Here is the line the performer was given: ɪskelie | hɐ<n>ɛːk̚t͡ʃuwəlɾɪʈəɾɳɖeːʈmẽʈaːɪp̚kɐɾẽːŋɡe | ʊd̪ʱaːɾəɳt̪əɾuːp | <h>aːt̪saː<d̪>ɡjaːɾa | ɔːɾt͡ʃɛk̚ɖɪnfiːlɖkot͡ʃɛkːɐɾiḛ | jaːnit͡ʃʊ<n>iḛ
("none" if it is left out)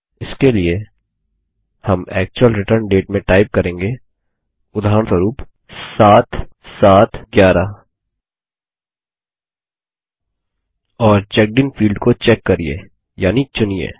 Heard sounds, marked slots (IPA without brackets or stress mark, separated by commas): m, s, t̪, n